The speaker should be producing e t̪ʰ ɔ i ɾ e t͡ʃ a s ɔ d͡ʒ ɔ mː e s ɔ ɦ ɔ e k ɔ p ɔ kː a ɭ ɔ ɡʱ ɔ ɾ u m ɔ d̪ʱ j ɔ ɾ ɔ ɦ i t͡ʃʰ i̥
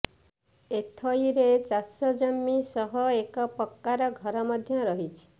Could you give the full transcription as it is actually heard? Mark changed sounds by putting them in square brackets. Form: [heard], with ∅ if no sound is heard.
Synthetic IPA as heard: e t̪ʰ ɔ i ɾ e t͡ʃ a s ɔ d͡ʒ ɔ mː [i] s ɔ ɦ ɔ e k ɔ p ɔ kː a [ɾ] ɔ ɡʱ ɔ ɾ [ɔ] m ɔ d̪ʱ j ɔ ɾ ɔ ɦ i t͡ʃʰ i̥